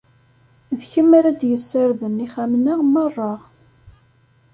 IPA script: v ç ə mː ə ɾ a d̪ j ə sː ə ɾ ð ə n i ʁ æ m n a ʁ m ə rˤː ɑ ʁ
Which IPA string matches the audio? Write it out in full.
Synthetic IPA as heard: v ç ə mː a ɾ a d̪ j ə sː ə ɾ ð ə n i χ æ m n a ʁ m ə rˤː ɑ ʁ